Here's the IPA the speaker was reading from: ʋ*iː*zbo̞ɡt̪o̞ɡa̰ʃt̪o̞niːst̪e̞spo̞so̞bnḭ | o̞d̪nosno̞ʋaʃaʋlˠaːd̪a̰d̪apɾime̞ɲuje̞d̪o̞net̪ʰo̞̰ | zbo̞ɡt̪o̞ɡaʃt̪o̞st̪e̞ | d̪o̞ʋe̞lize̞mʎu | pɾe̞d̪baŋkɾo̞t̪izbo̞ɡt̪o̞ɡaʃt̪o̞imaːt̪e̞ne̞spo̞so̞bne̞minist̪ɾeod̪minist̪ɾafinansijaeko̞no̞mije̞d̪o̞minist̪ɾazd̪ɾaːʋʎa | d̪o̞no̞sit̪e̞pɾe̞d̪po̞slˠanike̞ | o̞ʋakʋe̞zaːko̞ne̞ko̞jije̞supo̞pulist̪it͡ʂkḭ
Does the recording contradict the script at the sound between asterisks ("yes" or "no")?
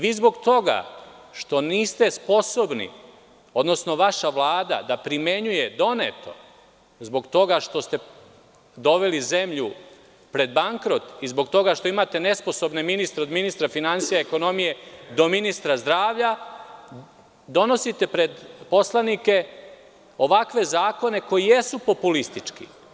no